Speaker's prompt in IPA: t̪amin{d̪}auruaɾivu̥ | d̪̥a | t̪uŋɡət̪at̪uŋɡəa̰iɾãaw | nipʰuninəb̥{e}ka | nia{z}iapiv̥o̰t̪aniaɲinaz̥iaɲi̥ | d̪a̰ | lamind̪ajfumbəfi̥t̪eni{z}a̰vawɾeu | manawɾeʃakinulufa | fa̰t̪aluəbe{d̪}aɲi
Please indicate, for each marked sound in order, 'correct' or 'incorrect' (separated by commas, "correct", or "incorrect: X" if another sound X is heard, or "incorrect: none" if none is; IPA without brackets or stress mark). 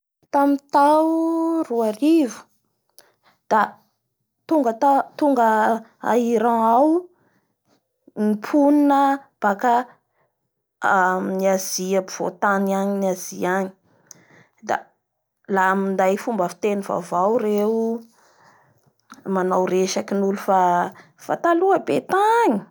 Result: incorrect: t̪, incorrect: a, correct, incorrect: v, incorrect: t̪